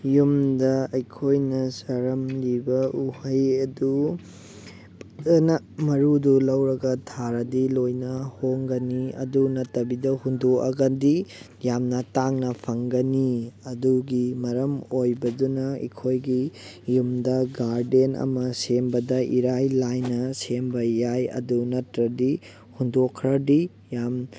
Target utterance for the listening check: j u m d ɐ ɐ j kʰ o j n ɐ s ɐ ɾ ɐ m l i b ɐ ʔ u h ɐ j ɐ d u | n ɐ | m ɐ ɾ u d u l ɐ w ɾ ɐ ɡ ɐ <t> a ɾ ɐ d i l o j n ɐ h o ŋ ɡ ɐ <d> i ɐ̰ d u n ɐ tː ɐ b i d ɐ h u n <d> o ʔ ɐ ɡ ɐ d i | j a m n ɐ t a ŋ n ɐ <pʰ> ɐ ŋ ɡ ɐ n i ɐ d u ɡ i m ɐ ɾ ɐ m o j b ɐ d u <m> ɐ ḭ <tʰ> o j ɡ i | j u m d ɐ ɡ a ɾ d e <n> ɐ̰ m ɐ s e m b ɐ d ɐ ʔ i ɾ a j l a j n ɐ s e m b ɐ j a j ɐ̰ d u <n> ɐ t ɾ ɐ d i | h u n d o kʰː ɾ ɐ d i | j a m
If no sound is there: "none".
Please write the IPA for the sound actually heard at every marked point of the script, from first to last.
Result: tʰ, n, d, pʰ, n, kʰ, n, n

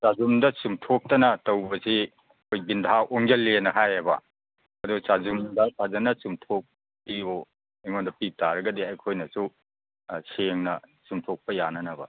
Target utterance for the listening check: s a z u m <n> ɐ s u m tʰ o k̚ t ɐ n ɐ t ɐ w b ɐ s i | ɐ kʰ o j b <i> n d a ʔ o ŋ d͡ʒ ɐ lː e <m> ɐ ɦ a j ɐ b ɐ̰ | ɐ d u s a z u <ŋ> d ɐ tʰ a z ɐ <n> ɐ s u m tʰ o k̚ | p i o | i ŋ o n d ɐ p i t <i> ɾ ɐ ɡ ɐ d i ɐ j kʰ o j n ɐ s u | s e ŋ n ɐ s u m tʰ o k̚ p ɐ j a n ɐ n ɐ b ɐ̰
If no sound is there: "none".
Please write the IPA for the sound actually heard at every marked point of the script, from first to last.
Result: d, i, n, m, n, a

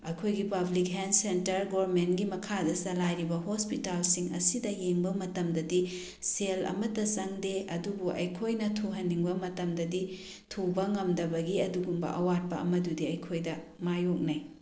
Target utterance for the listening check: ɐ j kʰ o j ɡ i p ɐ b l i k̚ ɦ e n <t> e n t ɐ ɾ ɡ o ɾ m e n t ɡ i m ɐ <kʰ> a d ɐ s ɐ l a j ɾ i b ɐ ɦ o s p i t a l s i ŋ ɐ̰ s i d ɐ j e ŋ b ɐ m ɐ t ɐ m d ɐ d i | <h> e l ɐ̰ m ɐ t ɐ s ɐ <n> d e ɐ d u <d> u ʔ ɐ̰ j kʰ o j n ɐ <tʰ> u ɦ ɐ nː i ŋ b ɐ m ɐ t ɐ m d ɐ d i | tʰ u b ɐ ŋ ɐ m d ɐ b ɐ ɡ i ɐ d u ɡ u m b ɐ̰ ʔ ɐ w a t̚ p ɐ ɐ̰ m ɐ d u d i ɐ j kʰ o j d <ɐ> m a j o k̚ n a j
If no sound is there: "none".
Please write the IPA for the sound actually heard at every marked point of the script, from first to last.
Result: s, kʰ, s, ŋ, b, tʰ, ɐ

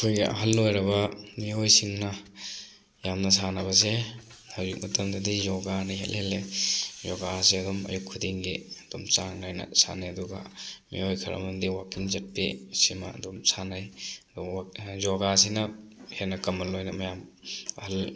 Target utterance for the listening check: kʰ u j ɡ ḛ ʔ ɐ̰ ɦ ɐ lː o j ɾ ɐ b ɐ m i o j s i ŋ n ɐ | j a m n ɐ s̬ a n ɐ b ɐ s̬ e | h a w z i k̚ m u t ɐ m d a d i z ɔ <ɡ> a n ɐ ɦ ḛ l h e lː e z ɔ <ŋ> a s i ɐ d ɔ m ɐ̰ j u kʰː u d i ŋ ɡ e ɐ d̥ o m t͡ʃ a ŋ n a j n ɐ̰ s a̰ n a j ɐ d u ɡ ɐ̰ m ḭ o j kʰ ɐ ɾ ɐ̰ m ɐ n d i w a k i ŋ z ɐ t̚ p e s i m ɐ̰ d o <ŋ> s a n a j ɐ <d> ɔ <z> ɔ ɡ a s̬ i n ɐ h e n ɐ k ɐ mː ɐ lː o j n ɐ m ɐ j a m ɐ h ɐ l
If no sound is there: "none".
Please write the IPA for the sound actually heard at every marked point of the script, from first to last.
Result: ɡ, ɡ, m, d, z

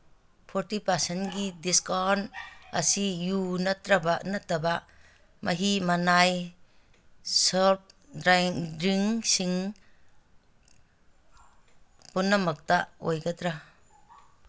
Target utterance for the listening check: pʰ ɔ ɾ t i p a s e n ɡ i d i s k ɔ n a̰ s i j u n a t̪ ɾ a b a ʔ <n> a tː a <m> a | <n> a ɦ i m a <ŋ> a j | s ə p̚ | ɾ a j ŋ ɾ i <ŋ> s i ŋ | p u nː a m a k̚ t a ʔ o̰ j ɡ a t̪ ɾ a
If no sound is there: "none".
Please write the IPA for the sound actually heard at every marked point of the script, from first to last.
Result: n, b, m, n, ŋ

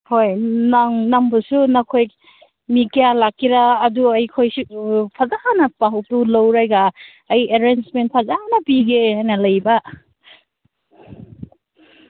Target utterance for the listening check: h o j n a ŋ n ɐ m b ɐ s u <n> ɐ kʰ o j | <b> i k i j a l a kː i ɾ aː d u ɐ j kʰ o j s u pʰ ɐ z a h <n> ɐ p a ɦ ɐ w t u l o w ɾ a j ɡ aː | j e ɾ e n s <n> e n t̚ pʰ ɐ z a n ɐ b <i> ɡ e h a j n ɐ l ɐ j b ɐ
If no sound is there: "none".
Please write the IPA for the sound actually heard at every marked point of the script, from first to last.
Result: n, m, n, m, i

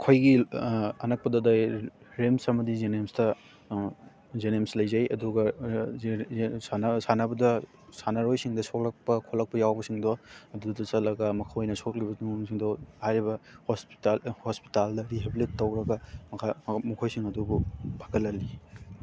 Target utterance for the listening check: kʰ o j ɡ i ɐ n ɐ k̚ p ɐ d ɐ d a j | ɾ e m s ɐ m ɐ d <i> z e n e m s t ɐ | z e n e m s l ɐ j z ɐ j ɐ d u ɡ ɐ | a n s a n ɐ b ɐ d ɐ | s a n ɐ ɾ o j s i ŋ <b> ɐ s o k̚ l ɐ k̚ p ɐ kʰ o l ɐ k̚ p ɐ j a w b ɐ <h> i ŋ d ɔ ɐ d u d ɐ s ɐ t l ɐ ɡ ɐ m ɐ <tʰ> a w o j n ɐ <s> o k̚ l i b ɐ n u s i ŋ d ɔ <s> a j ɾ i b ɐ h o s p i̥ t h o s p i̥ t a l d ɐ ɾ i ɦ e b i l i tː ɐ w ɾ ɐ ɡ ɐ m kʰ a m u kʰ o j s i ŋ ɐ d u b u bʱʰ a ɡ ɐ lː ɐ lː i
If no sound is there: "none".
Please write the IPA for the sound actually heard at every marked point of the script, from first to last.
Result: i, d, s, kʰ, s, h

